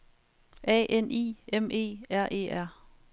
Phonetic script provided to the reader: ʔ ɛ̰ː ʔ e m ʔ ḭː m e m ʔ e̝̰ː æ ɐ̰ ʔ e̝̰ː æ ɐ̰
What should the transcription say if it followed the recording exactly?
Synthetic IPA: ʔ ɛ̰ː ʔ e n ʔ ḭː e m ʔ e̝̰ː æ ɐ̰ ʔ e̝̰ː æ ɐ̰

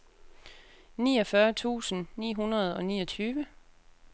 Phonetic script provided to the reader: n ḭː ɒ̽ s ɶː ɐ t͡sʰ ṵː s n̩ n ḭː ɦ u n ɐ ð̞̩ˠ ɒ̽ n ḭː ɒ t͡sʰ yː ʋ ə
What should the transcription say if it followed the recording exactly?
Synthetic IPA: n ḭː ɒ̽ f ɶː ɐ t͡sʰ ṵː s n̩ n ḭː ɦ u n ɐ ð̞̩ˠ ɒ̽ n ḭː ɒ t͡sʰ yː ʋ ə

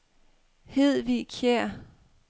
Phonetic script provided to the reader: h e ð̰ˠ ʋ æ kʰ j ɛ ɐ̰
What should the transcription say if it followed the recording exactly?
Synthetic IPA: h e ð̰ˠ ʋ i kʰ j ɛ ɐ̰

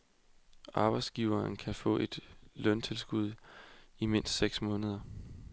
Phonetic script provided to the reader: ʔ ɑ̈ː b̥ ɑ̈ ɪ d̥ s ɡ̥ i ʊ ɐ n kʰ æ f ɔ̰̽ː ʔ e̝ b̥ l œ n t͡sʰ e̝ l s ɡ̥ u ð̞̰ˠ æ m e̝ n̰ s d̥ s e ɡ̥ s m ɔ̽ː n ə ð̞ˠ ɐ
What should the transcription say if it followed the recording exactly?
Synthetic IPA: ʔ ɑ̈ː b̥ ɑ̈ ɪ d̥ s ɡ̥ i ʊ ɐ n kʰ æ f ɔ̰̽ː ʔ e̝ d̥ l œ n t͡sʰ e̝ l s ɡ̥ u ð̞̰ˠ i m e̝ n̰ s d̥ s e ɡ̥ s m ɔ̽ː n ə ð̞ˠ ɐ

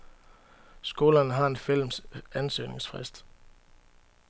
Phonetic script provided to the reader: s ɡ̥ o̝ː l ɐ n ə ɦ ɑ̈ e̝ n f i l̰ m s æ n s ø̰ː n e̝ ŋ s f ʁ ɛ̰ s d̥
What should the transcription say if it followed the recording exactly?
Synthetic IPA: s ɡ̥ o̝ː l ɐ n ə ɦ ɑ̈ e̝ n f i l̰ m s æ n s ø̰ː n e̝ ŋ s f ʁ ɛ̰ s d̥

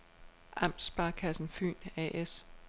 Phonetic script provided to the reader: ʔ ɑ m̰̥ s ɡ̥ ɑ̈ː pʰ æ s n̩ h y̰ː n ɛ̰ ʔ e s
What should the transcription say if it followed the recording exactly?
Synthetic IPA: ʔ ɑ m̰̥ s b̥ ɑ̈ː kʰ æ s n̩ f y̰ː n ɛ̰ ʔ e s

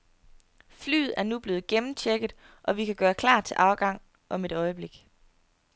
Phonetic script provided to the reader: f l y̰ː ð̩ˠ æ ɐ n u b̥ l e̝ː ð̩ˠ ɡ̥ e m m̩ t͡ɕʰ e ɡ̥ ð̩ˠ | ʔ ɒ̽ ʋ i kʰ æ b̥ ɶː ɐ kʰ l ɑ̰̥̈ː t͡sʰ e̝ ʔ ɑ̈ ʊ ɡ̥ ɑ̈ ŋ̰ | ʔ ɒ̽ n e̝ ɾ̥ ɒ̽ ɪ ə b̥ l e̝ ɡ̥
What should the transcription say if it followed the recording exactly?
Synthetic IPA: f l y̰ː ð̩ˠ æ ɐ n u b̥ l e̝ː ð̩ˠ ɡ̥ e m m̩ t͡ɕʰ e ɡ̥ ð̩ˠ | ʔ ɒ̽ ʋ i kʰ æ ɡ̥ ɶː ɐ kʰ l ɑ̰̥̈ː t͡sʰ e̝ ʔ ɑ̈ ʊ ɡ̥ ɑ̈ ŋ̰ | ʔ ɒ̽ m e̝ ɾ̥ ɒ̽ ɪ ə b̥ l e̝ ɡ̥

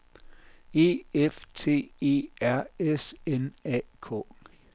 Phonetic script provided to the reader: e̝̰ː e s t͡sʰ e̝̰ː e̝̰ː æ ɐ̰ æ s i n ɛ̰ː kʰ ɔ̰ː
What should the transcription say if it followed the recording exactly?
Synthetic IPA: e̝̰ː e f t͡sʰ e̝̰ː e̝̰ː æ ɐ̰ e s e n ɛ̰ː kʰ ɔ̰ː

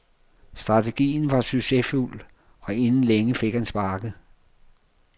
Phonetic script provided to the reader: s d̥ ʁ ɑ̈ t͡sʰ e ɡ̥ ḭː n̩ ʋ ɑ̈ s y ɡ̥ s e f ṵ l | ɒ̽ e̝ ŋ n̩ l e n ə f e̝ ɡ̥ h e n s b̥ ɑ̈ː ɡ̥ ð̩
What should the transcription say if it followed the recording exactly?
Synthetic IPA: s d̥ ʁ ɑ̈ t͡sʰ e ɡ̥ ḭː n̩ ʋ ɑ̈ s y ɡ̥ s e f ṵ l | ɒ̽ e̝ n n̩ l e ŋ ə f e̝ ɡ̥ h æ n s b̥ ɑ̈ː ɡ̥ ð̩

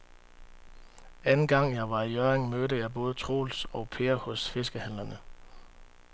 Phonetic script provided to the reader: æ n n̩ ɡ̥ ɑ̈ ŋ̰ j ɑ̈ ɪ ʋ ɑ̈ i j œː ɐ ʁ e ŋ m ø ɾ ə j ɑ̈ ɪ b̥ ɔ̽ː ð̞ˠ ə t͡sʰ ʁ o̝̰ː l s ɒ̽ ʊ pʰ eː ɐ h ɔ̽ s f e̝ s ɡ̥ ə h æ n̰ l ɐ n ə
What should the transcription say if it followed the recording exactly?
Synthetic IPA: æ n n̩ ɡ̥ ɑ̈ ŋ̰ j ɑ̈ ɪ ʋ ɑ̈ i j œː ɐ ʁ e ŋ m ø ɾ ə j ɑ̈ ɪ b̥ ɔ̽ː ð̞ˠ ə t͡sʰ ʁ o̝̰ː l s ɒ̽ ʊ pʰ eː ɐ h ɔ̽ s f e̝ s ɡ̥ ə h æ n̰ l ɐ n ə

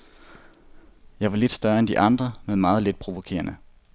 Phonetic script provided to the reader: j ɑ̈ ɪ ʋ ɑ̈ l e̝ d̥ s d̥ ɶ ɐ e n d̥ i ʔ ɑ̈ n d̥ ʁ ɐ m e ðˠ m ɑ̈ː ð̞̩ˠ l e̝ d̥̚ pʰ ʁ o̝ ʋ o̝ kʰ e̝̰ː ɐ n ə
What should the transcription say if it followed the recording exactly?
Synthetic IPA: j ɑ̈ ɪ ʋ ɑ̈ l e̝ d̥ s d̥ ɶ ɐ e n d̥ i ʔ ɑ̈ n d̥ ʁ ɐ m e ðˠ m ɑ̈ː ð̞̩ˠ l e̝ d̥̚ pʰ ʁ o̝ ʋ o̝ kʰ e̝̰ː ɐ n ə

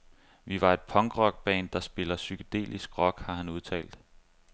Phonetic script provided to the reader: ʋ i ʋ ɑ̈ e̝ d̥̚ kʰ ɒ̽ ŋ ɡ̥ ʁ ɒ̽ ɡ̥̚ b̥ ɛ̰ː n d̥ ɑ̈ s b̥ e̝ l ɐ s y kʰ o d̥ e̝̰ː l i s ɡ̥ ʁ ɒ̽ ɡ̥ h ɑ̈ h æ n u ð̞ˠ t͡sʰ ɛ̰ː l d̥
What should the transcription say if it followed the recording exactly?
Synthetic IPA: ʋ i ʋ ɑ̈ e̝ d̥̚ pʰ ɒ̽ ŋ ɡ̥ ʁ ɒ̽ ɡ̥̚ b̥ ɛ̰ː n d̥ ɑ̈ s b̥ e̝ l ɐ s y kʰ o d̥ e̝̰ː l i s ɡ̥ ʁ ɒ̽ ɡ̥ h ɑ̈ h æ n u ð̞ˠ t͡sʰ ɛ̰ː l d̥

